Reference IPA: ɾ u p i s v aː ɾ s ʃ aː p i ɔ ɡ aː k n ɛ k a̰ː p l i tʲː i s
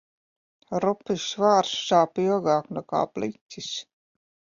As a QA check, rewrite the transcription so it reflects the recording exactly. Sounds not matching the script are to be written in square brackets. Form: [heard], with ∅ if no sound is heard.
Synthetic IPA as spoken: ɾ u p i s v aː ɾ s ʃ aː p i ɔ ɡ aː k n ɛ k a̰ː p l i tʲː i s